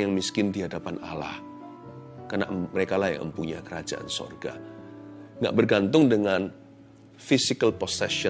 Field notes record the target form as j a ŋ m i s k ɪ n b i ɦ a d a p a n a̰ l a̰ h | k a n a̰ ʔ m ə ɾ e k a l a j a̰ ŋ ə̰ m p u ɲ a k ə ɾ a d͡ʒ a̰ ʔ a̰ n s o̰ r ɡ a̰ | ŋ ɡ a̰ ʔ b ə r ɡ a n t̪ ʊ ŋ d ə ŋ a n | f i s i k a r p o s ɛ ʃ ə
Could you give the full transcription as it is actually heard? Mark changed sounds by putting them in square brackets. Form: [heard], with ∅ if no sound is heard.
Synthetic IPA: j a ŋ m i s k ɪ n [d] i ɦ a d a p a n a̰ l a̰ h | k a n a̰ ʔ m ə ɾ e k a l a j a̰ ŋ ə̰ m p u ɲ a k ə ɾ a d͡ʒ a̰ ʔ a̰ n s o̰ r ɡ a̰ | ŋ ɡ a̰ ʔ b ə r ɡ a n t̪ ʊ ŋ d ə ŋ a n | f i s i k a [l] p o s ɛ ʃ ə